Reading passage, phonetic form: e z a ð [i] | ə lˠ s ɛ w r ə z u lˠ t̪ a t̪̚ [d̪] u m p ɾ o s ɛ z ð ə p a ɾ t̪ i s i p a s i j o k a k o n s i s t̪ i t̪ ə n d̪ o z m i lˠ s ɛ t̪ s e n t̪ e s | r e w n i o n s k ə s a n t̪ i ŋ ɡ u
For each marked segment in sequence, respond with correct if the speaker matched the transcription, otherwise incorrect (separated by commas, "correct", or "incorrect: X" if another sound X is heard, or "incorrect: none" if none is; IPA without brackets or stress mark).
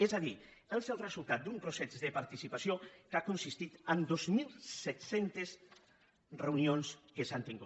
correct, correct